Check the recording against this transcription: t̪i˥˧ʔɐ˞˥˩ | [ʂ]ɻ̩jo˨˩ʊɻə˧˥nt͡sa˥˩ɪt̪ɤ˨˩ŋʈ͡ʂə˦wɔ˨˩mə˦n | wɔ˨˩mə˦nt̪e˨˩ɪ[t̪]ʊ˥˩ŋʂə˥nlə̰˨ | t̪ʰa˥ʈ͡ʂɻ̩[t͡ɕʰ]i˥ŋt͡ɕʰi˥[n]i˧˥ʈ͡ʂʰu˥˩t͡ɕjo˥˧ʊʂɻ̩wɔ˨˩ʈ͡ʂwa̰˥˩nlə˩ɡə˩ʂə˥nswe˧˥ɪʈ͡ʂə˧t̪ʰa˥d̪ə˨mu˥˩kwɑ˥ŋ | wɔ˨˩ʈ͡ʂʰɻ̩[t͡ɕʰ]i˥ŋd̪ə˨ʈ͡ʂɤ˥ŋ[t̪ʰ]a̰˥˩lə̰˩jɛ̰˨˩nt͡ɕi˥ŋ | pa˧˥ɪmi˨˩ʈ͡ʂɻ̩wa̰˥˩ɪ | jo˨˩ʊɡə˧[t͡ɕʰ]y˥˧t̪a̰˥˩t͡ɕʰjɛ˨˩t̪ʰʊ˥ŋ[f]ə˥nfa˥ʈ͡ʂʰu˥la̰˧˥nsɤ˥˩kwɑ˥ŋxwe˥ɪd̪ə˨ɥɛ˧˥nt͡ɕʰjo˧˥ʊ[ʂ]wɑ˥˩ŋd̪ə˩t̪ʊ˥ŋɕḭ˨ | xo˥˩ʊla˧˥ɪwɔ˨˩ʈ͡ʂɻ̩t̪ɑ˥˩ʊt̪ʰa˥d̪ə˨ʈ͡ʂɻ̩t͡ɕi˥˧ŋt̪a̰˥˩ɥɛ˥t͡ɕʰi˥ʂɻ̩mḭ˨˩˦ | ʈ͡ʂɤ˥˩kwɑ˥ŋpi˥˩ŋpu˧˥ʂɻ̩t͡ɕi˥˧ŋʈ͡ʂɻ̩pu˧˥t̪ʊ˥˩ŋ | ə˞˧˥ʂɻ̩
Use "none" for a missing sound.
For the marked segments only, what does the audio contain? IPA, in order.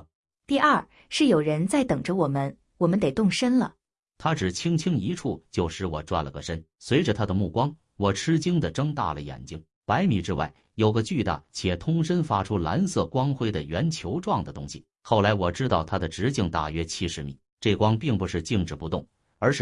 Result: ʂ, t̪, t͡ɕʰ, ŋ, t͡ɕ, t̪, t͡ɕ, ʂ, ʈ͡ʂ

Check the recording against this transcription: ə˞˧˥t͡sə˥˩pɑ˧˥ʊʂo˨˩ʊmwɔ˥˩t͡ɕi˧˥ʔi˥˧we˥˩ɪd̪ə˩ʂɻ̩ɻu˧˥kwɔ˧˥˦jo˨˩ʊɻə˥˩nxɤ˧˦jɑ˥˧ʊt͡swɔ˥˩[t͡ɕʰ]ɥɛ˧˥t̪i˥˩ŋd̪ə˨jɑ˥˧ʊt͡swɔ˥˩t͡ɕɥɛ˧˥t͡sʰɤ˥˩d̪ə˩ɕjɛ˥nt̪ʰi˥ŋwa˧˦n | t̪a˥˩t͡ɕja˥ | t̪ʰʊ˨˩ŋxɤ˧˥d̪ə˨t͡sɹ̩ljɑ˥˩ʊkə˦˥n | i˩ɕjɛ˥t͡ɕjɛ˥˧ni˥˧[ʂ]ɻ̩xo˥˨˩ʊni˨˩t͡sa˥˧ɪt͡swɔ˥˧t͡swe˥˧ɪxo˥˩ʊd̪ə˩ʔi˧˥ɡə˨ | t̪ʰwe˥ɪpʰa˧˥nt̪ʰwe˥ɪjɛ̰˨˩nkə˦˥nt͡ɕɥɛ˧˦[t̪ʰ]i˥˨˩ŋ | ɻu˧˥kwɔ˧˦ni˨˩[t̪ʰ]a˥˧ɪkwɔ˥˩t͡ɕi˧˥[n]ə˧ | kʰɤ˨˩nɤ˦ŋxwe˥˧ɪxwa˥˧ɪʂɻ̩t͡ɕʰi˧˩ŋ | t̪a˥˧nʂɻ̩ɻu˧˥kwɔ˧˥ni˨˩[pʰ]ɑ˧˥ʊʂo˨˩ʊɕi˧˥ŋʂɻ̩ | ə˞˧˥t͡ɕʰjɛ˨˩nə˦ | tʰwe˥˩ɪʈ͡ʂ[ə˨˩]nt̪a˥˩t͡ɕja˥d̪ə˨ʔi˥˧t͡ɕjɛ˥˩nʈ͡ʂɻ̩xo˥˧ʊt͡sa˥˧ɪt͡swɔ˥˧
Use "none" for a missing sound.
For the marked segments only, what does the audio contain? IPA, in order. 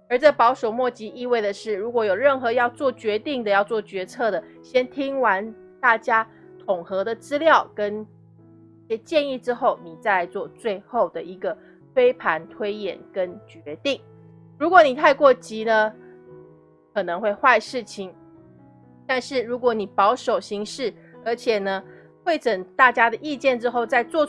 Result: t͡ɕ, ʈ͡ʂ, t̪, t̪ʰ, n, p, ə˨˩

